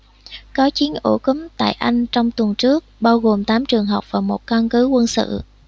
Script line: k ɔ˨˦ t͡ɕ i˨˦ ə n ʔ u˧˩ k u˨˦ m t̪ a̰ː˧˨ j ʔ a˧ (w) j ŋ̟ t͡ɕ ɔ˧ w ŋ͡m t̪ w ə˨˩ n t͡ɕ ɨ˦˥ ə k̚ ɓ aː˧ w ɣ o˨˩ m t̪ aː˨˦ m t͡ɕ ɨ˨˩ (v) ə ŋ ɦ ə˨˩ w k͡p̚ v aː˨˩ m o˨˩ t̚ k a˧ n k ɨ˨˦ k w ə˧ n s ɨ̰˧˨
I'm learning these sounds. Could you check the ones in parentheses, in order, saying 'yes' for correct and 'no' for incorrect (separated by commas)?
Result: no, no